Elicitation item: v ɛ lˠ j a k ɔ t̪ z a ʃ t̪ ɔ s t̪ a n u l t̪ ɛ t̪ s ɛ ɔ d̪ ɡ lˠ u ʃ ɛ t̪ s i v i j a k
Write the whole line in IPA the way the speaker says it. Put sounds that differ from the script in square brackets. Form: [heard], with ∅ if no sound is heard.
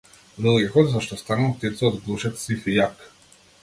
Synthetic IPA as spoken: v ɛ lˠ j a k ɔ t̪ z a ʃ t̪ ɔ s t̪ a n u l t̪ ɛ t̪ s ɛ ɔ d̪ ɡ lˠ u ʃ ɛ t̪ s i [f] i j a k